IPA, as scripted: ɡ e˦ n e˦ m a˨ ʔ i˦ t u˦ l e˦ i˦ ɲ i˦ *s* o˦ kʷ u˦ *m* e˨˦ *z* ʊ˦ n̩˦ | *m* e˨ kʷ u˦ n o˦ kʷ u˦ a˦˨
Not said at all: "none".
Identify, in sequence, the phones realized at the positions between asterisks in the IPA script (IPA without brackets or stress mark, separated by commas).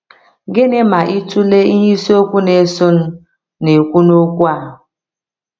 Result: s, n, s, n